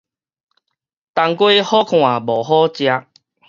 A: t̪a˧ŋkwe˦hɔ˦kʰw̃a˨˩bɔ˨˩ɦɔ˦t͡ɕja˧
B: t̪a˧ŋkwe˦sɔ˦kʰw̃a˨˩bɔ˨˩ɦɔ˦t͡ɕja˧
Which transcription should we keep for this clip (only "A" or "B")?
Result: A